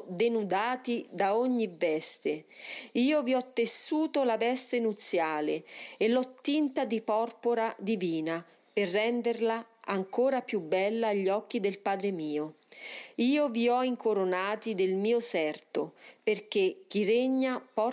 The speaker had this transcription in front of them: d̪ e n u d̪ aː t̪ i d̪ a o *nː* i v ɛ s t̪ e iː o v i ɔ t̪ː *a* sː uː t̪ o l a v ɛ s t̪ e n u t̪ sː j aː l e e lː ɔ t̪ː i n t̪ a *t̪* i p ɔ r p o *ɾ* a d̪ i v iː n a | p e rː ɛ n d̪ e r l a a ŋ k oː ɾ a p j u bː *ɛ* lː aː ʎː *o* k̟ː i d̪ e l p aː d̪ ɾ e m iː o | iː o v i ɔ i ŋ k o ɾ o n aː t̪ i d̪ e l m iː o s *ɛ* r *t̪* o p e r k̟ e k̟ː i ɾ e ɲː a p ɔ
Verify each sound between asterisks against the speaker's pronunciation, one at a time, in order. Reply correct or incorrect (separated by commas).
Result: incorrect, incorrect, incorrect, correct, correct, incorrect, correct, correct